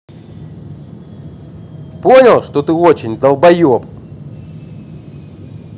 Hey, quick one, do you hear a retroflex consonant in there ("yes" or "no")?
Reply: yes